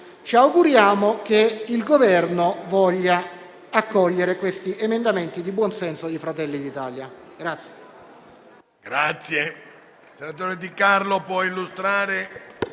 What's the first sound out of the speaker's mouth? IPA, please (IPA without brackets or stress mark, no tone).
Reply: t͡ʃ